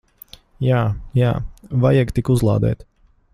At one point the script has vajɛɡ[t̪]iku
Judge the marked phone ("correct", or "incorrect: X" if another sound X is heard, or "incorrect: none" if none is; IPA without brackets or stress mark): correct